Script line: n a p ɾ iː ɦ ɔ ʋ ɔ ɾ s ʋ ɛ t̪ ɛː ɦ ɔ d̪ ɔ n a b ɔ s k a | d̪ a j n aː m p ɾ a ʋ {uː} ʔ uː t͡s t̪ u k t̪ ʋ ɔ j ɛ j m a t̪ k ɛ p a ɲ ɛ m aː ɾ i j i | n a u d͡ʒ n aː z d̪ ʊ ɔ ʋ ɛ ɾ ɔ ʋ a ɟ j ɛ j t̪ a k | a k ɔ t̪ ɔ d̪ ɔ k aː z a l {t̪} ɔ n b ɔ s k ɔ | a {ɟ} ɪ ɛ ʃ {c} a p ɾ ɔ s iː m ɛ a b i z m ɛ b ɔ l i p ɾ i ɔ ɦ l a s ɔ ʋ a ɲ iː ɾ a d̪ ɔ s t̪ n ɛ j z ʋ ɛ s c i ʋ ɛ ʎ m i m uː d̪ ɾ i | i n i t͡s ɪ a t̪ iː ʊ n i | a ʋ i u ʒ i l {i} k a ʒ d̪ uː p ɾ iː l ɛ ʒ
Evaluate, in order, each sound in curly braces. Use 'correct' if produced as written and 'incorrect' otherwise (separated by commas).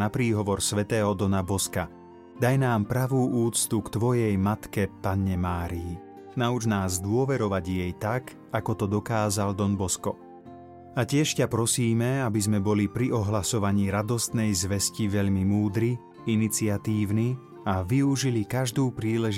correct, incorrect, incorrect, correct, correct